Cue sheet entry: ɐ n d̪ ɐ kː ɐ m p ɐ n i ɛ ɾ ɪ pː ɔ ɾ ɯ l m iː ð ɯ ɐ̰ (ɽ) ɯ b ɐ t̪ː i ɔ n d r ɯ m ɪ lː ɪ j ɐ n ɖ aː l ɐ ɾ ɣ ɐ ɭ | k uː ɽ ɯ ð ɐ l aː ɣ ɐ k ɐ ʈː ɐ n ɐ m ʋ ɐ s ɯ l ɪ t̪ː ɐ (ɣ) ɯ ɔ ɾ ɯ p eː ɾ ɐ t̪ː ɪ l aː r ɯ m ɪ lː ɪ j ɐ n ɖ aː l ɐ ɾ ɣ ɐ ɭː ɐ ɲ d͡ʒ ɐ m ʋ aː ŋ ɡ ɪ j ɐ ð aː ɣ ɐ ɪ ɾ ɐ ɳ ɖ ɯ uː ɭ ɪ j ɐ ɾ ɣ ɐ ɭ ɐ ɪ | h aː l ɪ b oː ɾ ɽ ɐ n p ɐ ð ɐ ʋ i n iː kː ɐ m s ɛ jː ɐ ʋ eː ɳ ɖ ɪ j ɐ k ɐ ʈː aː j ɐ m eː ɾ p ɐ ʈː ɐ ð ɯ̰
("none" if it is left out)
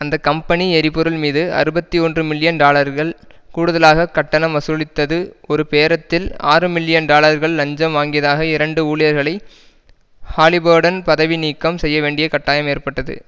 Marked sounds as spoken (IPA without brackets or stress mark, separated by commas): ɾ, ð